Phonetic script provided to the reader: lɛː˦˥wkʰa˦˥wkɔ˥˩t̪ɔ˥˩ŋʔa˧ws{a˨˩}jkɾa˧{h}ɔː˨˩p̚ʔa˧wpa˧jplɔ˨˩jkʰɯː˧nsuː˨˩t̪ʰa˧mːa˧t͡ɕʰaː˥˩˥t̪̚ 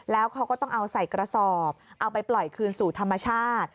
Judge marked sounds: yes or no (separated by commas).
yes, no